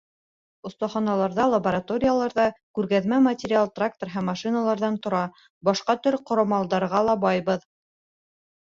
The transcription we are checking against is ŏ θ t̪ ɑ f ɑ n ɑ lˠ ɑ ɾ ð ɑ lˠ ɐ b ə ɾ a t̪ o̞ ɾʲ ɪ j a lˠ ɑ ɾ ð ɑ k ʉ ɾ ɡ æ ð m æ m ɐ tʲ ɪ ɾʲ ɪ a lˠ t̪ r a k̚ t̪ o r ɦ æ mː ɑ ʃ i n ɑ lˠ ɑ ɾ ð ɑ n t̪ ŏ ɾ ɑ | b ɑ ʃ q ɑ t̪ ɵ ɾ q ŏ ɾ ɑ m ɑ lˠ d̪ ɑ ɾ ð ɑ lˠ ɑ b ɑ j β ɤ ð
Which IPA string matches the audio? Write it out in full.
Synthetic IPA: ŏ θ t̪ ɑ χ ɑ n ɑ lˠ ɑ ɾ ð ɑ lˠ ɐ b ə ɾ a t̪ o̞ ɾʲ ɪ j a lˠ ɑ ɾ ð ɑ k ʉ ɾ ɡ æ ð m æ m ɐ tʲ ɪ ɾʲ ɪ a lˠ t̪ r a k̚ t̪ o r ɦ æ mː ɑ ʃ i n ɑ lˠ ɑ ɾ ð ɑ n t̪ ŏ ɾ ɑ | b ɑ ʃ q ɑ t̪ ɵ ɾ q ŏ ɾ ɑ m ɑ lˠ d̪ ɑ ɾ ʁ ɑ lˠ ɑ b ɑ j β ɤ ð